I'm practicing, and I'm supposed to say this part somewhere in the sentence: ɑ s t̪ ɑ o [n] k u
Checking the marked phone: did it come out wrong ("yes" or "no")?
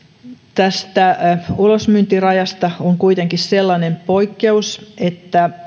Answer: yes